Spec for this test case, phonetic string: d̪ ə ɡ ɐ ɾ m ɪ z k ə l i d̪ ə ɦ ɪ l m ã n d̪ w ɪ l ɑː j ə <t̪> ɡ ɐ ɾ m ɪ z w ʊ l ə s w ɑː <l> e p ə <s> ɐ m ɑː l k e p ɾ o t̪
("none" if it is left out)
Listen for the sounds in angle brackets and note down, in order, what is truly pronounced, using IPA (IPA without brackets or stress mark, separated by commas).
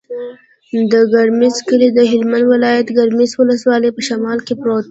t̪, l, ʃ